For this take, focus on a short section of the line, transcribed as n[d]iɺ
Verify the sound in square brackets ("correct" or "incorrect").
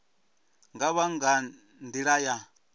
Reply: correct